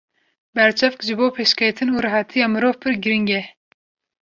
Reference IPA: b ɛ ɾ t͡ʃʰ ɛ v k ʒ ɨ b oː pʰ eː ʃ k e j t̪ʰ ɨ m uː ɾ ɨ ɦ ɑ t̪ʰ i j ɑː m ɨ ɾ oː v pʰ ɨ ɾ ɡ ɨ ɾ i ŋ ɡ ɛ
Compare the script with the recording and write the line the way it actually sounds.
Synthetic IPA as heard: b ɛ ɾ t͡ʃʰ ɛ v k ʒ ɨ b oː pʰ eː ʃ k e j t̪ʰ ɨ n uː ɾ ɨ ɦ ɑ t̪ʰ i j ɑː m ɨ ɾ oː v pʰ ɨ ɾ ɡ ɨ ɾ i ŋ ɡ ɛ